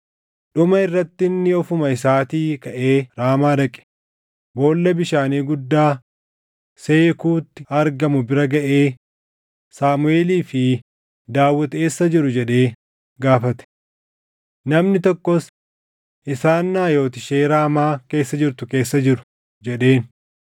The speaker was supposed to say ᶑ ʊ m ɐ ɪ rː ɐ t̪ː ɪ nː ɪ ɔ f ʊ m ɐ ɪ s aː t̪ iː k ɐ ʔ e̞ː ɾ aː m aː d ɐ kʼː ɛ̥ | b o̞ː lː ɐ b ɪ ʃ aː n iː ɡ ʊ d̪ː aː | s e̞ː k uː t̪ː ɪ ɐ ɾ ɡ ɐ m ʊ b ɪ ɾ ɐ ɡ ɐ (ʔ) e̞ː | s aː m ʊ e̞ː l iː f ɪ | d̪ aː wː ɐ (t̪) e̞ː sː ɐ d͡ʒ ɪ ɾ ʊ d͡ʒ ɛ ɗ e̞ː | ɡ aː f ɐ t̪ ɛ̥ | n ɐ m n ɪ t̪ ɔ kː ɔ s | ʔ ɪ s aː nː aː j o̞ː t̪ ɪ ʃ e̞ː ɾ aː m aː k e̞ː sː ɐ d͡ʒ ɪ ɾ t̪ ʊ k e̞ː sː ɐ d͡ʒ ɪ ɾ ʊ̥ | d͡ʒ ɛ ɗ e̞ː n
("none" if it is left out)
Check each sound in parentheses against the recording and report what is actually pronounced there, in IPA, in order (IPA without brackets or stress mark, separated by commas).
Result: ʔ, t̪